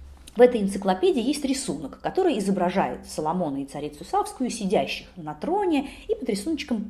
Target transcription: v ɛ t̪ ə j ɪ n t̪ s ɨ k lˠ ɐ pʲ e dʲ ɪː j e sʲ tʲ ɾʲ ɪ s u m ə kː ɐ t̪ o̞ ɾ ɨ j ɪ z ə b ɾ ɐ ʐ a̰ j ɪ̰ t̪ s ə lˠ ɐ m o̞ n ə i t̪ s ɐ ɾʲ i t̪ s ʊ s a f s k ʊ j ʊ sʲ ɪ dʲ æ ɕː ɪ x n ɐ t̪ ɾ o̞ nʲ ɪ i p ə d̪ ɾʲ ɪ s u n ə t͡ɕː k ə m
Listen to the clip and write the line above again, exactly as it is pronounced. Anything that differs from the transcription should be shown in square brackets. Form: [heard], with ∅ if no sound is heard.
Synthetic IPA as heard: v ɛ t̪ ə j ɪ n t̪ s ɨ k lˠ ɐ pʲ e dʲ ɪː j e sʲ tʲ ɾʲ ɪ s u [n] ə kː ɐ t̪ o̞ ɾ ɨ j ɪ z ə b ɾ ɐ ʐ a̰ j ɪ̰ t̪ s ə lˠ ɐ m o̞ n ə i t̪ s ɐ ɾʲ i t̪ s ʊ s a f s k ʊ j ʊ sʲ ɪ dʲ æ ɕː ɪ x n ɐ t̪ ɾ o̞ nʲ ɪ i p ə d̪ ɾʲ ɪ s u n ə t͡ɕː k ə m